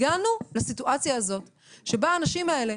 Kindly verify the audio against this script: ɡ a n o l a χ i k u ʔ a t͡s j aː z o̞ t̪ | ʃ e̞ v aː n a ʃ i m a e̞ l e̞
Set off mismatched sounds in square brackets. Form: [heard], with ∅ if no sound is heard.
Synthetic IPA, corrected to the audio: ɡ a n [u] l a [s] i [t] u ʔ a t͡s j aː z o̞ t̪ | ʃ e̞ [b] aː n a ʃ i m a e̞ l e̞